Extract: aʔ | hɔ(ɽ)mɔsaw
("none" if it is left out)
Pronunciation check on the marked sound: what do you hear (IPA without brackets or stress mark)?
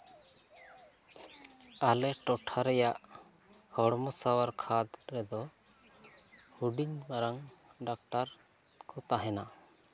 ɽ